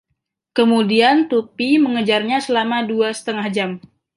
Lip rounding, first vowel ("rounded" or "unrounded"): unrounded